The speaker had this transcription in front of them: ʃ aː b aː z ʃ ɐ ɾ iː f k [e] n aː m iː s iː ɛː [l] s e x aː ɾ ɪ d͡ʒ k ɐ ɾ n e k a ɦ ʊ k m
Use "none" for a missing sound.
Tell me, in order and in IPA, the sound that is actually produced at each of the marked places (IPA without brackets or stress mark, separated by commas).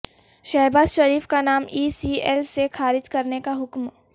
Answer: a, l